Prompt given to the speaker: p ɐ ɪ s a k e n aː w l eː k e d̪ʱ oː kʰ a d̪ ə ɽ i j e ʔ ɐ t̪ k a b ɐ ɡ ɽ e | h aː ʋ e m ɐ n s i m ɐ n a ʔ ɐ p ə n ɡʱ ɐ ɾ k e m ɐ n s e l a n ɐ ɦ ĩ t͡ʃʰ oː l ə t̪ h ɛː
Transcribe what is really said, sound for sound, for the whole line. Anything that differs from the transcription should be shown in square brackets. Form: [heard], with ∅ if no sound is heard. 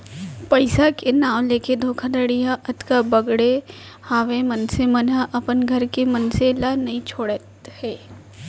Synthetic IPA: p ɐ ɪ s a k e n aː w l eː k e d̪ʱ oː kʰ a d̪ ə ɽ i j [a] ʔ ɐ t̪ k a b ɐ ɡ ɽ e | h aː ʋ e m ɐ n s [e] m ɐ n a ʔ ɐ p ə n ɡʱ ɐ ɾ k e m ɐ n s e l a n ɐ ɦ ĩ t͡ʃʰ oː [ɽ] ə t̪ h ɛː